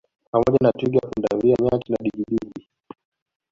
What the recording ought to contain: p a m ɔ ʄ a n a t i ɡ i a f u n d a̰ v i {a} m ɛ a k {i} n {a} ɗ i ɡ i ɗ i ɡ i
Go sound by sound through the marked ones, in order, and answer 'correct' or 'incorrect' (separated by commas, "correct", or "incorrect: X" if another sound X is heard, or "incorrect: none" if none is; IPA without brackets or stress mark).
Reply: correct, correct, correct